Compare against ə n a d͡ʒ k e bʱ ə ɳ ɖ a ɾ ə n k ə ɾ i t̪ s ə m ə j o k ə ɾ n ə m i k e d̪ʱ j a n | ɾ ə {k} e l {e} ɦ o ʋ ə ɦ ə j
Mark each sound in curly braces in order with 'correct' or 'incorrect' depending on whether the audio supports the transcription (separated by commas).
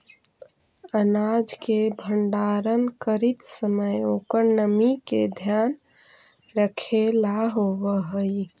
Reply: incorrect, incorrect